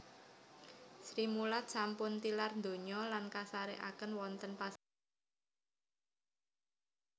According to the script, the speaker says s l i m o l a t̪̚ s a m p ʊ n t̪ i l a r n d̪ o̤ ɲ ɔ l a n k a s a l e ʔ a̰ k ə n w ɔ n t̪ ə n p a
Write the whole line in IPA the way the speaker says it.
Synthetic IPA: s ɾ i m u l a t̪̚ s a m p ʊ n t̪ i l a r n d̪ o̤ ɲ ɔ l a n k a s a ɾ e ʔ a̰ k ə n w ɔ n t̪ ə n p a